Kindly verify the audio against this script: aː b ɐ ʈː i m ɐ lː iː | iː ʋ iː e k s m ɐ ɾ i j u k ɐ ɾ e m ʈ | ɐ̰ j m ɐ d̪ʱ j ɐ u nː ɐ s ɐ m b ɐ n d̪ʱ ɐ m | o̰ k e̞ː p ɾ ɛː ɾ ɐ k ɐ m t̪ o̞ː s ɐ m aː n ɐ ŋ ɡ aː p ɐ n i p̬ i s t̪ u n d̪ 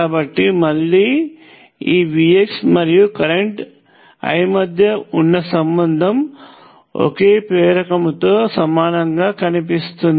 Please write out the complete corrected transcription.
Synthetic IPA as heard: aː b ɐ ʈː i m ɐ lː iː | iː ʋ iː e k s m ɐ ɾ i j u k ɐ ɾ e ɳ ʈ | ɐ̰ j m ɐ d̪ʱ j ɐ u nː ɐ s ɐ m b ɐ n d̪ʱ ɐ m | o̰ k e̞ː p ɾ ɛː ɾ ɐ k ɐ m t̪ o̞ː s ɐ m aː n ɐ ŋ ɡ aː k ɐ n i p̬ i s t̪ u n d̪